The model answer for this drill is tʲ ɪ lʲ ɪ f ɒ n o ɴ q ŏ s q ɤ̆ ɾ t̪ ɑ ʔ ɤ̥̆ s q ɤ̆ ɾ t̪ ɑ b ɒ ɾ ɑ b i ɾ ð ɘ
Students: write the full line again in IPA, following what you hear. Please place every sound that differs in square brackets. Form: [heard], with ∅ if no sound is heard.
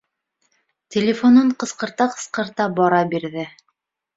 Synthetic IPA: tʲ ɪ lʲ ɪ f [o] n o ɴ q [ɤ̆] s q ɤ̆ ɾ t̪ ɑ [q] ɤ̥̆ s q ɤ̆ ɾ t̪ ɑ b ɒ ɾ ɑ b i ɾ ð ɘ